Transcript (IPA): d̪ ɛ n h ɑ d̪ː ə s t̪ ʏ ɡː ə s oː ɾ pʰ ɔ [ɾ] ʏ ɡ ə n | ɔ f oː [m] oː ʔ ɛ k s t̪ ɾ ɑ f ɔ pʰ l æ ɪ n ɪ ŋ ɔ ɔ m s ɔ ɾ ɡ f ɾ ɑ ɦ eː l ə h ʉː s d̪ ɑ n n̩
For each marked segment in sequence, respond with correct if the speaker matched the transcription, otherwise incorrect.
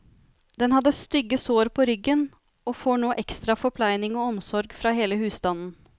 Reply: correct, incorrect

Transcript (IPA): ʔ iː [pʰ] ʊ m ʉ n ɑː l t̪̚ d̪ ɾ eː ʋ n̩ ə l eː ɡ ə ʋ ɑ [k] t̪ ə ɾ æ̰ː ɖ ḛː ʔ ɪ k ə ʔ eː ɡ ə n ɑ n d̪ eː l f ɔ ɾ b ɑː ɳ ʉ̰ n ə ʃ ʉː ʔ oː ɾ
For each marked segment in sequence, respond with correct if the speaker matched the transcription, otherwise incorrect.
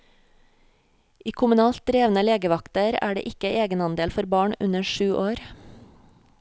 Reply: incorrect, correct

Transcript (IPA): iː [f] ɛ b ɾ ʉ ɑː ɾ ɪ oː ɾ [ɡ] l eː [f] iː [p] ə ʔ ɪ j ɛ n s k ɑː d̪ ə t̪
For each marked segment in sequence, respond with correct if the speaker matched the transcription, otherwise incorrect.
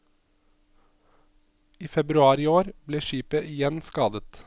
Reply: correct, incorrect, incorrect, correct

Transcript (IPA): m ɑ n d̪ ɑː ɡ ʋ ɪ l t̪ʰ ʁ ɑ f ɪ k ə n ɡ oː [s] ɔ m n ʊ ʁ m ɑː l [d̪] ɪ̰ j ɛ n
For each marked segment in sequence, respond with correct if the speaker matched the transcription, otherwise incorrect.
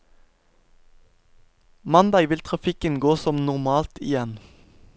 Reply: correct, incorrect

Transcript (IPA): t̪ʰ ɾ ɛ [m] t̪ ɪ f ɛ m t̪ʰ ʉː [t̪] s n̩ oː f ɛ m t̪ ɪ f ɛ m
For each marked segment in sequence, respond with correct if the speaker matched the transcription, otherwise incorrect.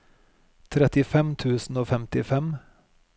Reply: incorrect, incorrect

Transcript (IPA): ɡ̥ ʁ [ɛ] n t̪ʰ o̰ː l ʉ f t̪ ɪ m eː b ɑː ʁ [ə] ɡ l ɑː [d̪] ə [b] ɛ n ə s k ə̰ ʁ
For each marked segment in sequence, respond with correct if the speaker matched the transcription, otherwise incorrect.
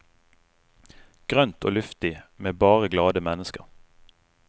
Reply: incorrect, correct, correct, incorrect

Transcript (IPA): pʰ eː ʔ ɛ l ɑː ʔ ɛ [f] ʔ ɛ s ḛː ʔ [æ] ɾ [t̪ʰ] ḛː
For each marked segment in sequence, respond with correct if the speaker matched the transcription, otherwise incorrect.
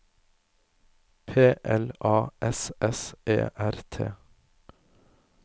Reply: incorrect, correct, correct

